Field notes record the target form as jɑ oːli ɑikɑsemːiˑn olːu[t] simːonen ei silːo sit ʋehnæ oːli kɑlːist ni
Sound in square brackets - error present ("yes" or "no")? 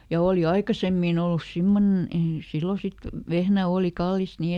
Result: yes